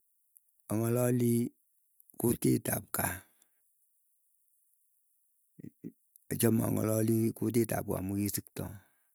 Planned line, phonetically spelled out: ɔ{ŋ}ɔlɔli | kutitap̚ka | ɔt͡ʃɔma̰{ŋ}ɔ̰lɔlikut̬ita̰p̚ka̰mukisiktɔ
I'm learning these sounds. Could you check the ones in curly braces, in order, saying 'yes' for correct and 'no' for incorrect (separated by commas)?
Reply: yes, yes